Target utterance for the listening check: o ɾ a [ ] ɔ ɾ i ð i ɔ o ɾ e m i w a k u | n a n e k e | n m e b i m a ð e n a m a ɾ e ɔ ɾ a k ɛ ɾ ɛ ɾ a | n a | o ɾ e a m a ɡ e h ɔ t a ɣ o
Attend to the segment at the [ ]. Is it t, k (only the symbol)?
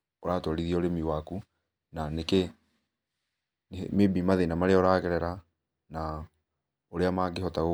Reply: t